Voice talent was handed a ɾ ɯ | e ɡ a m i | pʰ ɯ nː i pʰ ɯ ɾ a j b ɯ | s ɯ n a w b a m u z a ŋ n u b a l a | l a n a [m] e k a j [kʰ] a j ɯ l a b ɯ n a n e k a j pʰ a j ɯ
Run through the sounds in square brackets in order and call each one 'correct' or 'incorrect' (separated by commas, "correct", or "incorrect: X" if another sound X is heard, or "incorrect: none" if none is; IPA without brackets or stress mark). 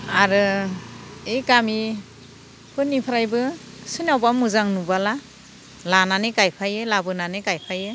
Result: incorrect: n, incorrect: pʰ